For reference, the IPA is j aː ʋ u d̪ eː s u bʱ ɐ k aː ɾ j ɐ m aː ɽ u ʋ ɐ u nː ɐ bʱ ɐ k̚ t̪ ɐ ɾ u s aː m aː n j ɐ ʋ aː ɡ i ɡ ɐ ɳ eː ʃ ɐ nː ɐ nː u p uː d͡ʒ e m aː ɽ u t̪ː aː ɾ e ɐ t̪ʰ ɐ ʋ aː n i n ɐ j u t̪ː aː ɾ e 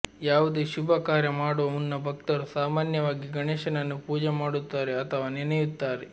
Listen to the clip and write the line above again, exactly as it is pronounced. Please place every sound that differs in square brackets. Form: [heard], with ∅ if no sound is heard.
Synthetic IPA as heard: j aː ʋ u d̪ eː [ʃ] u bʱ ɐ k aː ɾ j ɐ m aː ɽ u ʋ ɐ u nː ɐ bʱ ɐ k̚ t̪ ɐ ɾ u s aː m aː n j ɐ ʋ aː ɡ i ɡ ɐ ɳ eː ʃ ɐ [n] ɐ nː u p uː d͡ʒ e m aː ɽ u t̪ː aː ɾ e ɐ t̪ʰ ɐ ʋ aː n i n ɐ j u t̪ː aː ɾ e